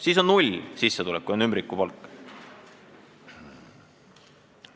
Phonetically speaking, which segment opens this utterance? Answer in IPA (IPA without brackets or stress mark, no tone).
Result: s